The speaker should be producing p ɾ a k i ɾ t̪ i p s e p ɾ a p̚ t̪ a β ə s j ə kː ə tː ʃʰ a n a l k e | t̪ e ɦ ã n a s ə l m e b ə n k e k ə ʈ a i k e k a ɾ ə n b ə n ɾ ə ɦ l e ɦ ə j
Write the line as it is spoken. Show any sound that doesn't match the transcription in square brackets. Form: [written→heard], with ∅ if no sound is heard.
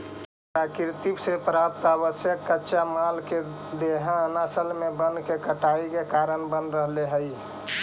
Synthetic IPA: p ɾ a k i ɾ t̪ i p s e p ɾ a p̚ t̪ a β ə s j ə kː ə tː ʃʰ a [n→m] a l k e | [t̪→d̪] e ɦ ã n a s ə l m e b ə n k e k ə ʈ a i k e k a ɾ ə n b ə n ɾ ə ɦ l e ɦ ə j